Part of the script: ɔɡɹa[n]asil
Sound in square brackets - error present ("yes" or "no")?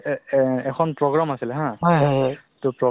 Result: yes